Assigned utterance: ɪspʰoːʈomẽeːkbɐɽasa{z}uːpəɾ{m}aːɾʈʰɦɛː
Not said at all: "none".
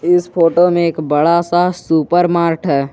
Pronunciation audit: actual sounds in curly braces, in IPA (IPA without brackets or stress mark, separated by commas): s, m